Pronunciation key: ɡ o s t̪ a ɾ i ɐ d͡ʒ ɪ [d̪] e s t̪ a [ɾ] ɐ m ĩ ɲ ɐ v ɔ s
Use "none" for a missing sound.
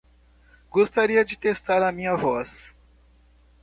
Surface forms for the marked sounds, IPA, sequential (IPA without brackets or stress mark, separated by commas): t̪, ɾ